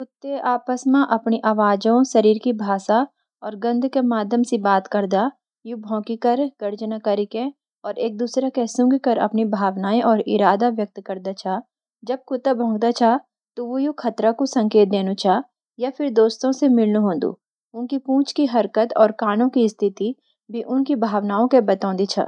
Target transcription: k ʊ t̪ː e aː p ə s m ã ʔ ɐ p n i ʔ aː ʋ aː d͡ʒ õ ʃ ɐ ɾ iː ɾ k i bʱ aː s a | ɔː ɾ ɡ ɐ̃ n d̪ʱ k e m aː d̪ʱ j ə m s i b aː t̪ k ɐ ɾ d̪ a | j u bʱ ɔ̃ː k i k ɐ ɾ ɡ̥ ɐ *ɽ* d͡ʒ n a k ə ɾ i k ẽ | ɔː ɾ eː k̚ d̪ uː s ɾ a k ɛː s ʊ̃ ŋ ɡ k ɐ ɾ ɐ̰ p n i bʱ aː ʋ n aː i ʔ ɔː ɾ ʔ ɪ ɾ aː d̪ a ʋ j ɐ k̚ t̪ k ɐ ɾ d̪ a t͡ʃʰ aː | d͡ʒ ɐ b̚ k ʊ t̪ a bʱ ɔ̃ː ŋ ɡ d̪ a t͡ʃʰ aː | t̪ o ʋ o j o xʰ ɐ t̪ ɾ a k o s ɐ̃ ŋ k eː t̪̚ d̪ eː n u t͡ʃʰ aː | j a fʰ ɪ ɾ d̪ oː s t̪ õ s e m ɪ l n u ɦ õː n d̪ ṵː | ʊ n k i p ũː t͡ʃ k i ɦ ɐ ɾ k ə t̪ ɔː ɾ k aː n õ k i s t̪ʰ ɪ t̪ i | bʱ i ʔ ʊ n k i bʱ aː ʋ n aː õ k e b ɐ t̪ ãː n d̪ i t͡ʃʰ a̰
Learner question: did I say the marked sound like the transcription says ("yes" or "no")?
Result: no